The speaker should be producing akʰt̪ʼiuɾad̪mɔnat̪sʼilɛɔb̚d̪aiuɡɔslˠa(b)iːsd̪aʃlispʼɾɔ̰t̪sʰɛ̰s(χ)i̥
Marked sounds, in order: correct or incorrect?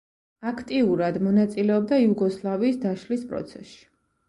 incorrect, incorrect

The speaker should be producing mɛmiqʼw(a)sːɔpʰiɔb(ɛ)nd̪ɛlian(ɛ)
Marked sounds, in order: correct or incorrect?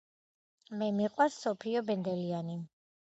correct, correct, incorrect

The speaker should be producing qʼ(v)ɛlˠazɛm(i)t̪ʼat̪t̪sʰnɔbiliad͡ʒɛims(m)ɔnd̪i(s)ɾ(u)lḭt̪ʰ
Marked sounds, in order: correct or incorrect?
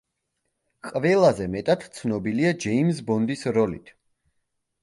correct, incorrect, incorrect, correct, incorrect

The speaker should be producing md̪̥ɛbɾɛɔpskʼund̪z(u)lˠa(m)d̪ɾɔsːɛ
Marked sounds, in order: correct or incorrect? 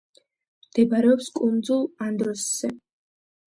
correct, incorrect

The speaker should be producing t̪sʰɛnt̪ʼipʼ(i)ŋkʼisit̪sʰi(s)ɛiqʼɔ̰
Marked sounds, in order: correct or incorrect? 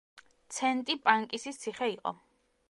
incorrect, incorrect

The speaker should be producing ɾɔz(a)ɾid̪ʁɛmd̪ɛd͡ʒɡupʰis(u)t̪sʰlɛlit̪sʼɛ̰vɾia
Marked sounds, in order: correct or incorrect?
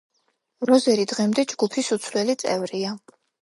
incorrect, correct

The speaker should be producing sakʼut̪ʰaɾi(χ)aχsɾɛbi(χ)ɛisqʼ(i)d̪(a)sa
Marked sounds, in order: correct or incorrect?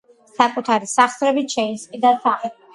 incorrect, incorrect, correct, correct

